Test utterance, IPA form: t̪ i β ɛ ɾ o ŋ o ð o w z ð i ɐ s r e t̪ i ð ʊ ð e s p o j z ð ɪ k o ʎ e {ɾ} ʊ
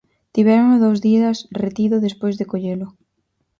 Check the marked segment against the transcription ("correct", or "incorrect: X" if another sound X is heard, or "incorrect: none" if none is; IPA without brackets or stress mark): incorrect: l